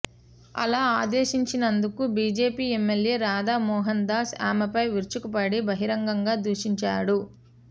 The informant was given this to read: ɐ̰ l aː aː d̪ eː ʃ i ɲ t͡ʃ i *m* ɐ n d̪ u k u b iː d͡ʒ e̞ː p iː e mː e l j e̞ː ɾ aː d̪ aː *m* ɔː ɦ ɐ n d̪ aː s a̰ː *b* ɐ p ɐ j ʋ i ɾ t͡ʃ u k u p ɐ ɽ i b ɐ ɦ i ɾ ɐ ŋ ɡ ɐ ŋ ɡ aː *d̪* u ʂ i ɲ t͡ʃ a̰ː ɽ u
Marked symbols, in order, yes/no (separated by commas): no, yes, no, yes